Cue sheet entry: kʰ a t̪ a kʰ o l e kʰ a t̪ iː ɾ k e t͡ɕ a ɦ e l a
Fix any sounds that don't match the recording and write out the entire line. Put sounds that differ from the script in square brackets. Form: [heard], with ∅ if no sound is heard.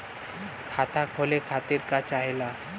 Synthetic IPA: kʰ a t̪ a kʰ o l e kʰ a t̪ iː ɾ k [a] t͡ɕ a ɦ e l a